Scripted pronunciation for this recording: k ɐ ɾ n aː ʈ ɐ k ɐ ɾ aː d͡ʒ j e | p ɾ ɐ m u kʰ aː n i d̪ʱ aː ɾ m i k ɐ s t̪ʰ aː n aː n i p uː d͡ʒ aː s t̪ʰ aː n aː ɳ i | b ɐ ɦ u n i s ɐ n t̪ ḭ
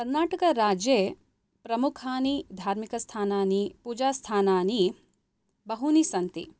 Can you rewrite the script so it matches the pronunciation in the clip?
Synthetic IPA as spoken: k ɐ ɾ n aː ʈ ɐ k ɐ ɾ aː d͡ʒ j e | p ɾ ɐ m u kʰ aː n i d̪ʱ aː ɾ m i k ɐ s t̪ʰ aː n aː n i p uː d͡ʒ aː s t̪ʰ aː n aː n i | b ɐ ɦ u n i s ɐ n t̪ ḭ